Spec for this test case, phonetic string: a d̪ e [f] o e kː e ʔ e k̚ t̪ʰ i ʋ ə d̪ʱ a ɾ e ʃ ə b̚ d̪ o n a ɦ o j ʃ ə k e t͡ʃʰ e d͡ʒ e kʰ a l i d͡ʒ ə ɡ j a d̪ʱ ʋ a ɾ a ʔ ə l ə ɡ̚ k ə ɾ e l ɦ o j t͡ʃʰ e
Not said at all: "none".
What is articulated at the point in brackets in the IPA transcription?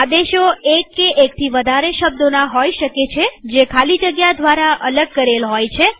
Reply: ʃ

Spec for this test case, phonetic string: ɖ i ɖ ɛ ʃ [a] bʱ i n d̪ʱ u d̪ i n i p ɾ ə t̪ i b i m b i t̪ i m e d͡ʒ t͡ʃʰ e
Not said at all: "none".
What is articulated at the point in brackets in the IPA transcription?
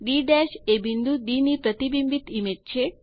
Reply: e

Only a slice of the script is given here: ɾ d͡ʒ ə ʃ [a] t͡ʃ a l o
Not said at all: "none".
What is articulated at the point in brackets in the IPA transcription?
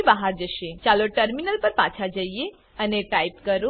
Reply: e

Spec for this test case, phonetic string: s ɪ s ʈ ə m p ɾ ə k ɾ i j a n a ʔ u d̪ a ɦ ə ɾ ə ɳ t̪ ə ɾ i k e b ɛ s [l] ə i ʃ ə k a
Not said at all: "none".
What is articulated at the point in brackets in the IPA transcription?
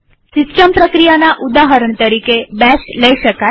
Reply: l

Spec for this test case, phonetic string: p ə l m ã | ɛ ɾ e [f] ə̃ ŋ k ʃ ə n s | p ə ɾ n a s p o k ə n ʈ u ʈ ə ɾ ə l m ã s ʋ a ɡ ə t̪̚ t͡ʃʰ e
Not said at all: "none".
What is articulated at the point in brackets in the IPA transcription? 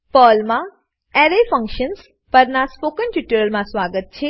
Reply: f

